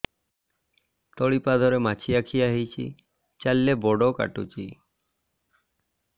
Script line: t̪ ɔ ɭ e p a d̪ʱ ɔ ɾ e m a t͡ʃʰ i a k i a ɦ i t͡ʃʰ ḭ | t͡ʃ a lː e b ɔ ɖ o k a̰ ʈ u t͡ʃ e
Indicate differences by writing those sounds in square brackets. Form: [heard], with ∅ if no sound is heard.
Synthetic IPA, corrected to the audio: t̪ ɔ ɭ [i] p a d̪ʱ ɔ ɾ e m a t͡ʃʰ i a [kʰ] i a ɦ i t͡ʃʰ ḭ | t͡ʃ a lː e b ɔ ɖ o k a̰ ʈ u t͡ʃ [i]